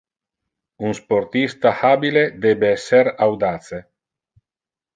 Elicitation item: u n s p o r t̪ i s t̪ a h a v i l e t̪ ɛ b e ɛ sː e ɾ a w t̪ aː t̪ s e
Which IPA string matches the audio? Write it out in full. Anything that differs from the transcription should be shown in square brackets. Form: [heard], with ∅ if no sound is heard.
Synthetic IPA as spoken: u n s p o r t̪ i s t̪ a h a [b] i l e [d̪] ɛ b e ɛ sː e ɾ a w [d̪] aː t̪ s e